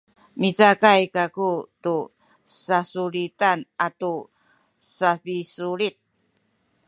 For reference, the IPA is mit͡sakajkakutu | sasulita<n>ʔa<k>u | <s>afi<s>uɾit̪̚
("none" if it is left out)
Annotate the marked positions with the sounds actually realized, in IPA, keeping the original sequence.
n, t, s, s

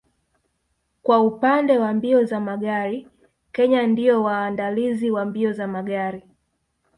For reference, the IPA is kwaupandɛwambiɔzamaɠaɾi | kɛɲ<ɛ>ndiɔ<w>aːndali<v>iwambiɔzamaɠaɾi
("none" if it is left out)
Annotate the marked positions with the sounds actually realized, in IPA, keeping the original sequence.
a, w, z

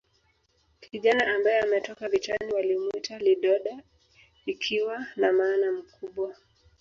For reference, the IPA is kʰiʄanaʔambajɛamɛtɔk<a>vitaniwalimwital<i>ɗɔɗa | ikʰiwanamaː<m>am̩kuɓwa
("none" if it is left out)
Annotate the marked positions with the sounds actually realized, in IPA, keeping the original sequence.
a, i, n

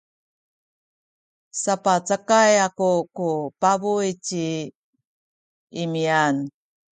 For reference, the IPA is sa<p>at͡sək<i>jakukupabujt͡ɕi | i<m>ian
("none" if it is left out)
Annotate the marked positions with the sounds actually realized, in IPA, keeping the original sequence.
p, a, m

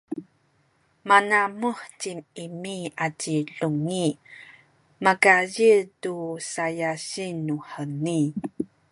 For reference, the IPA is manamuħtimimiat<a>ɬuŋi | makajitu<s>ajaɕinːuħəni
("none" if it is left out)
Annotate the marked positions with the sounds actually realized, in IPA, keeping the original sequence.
i, s

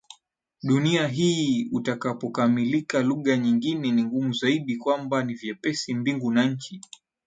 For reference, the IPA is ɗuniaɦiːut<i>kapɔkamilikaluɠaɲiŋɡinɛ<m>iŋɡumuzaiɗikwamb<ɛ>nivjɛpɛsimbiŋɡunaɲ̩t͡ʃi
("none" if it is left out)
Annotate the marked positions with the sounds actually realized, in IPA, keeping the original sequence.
a, n, a

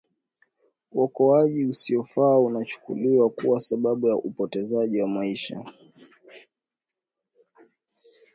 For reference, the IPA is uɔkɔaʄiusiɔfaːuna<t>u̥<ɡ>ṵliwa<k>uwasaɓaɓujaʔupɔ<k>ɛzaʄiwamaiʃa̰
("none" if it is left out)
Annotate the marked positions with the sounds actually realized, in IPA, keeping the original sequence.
t͡ʃ, k, k, t

